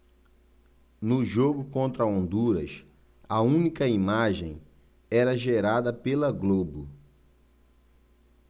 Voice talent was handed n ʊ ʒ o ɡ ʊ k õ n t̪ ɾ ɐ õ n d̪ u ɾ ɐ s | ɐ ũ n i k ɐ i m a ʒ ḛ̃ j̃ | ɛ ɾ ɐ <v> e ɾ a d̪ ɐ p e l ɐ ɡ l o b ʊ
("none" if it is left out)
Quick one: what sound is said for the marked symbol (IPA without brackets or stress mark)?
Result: ʒ